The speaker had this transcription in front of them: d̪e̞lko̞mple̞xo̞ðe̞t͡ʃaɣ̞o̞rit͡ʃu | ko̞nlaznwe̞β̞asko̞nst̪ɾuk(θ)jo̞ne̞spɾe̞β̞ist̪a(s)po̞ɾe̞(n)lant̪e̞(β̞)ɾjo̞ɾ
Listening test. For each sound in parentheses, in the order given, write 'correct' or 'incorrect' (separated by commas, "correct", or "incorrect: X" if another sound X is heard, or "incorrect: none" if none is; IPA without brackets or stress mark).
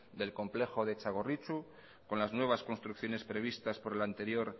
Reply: correct, correct, incorrect: none, incorrect: none